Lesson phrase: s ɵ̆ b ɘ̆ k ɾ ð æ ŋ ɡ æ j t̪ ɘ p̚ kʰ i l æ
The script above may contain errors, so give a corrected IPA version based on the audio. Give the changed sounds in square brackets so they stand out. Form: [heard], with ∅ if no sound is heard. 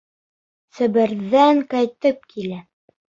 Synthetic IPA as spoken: s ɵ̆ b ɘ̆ [∅] ɾ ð æ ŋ [k] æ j t̪ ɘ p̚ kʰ i l æ